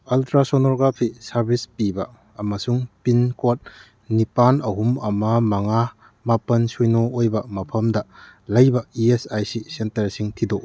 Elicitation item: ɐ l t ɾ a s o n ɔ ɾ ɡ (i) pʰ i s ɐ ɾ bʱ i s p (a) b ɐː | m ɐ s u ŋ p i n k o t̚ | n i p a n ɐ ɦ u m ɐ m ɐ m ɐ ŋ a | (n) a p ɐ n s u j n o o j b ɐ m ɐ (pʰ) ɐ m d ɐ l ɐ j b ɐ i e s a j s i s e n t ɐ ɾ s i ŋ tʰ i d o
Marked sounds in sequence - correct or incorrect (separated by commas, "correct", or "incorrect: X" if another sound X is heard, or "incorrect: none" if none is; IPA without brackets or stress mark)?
incorrect: a, incorrect: i, incorrect: m, correct